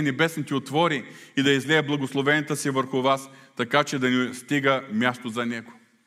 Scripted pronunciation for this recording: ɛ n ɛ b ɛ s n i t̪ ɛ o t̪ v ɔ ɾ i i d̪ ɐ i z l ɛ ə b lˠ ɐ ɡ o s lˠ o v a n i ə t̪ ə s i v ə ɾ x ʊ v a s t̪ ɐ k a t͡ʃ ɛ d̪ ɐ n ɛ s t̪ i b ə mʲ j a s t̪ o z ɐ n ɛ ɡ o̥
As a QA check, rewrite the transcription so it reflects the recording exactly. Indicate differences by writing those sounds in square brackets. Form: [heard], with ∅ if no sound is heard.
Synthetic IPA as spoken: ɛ n ɛ b ɛ s n i t̪ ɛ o t̪ v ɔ ɾ i i d̪ ɐ i z l ɛ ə b lˠ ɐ ɡ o s lˠ o v [ɛ] n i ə t̪ ə s i v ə ɾ x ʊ v a s t̪ ɐ k a t͡ʃ ɛ d̪ ɐ n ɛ s t̪ i [ɡ] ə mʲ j a s t̪ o z ɐ n ɛ ɡ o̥